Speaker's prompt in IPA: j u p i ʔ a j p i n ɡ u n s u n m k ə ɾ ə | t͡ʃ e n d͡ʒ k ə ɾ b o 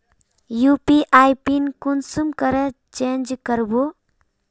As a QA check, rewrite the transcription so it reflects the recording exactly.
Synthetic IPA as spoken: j u p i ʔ a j p i n k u n s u m k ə ɾ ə | t͡ʃ e n d͡ʒ k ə ɾ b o